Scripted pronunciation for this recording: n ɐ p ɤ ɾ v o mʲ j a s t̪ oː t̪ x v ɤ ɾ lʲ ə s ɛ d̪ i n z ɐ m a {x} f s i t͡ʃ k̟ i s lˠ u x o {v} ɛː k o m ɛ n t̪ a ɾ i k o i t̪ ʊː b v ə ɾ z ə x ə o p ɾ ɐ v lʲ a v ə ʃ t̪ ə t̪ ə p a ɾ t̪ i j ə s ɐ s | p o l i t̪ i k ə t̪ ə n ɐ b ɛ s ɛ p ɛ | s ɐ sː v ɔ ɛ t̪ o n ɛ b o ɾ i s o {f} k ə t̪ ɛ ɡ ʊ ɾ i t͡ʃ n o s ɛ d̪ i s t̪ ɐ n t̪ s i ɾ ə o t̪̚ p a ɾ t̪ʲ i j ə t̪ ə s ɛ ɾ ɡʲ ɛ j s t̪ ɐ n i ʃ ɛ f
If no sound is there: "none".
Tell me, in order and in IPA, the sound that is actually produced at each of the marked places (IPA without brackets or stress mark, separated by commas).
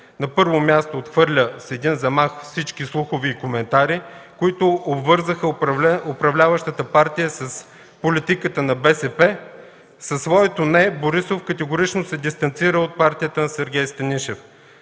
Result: x, v, f